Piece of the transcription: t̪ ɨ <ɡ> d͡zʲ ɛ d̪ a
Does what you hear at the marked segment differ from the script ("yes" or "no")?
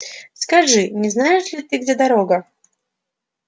no